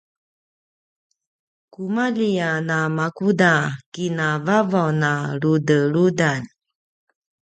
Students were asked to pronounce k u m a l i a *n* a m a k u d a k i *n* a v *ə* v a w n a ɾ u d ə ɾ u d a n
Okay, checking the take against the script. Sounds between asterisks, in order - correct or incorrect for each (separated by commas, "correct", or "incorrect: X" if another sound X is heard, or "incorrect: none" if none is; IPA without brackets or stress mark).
correct, correct, incorrect: a